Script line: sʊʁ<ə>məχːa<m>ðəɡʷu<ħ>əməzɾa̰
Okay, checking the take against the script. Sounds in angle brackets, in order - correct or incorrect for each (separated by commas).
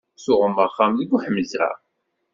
correct, correct, correct